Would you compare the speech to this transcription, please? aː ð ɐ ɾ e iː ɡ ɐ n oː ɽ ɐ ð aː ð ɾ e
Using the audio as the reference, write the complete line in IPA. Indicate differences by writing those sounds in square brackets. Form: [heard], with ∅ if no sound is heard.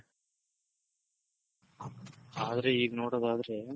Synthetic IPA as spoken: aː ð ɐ ɾ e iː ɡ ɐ n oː ɽ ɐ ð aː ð ɾ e